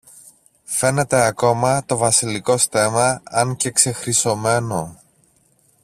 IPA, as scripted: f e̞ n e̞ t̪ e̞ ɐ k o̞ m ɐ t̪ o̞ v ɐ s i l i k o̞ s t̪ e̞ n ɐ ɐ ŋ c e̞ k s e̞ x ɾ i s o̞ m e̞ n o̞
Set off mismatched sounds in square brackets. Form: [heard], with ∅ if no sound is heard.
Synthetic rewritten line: f e̞ n e̞ t̪ e̞ ɐ k o̞ m ɐ t̪ o̞ v ɐ s i l i k o̞ s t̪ e̞ [m] ɐ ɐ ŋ c e̞ k s e̞ x ɾ i s o̞ m e̞ n o̞